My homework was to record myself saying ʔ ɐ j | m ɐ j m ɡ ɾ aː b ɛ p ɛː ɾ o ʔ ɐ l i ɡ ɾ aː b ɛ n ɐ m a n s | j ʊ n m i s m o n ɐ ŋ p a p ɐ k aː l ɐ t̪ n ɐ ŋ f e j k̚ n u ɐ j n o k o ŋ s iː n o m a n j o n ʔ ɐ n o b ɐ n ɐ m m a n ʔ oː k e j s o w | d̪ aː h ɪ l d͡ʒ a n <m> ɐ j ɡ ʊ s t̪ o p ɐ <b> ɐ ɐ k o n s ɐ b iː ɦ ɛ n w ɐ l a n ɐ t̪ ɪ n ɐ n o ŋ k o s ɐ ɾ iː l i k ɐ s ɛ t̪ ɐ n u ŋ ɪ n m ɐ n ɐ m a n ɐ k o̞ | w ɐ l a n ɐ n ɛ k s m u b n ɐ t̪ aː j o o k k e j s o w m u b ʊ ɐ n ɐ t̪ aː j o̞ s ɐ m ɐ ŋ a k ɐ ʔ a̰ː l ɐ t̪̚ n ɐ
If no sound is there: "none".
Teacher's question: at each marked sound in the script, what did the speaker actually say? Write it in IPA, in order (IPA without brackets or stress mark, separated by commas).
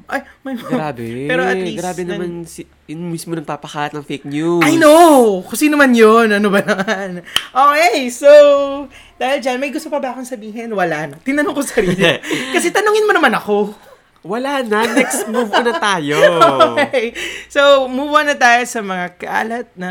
m, b